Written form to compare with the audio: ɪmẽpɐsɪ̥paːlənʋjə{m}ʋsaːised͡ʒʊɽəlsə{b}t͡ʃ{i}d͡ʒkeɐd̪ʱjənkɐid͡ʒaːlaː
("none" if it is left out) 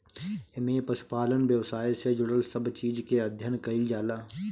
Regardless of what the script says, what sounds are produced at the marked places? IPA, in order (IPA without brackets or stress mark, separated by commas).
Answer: none, b, iː